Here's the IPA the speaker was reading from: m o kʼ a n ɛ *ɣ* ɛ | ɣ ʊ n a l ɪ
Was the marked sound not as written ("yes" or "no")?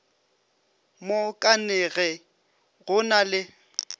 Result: no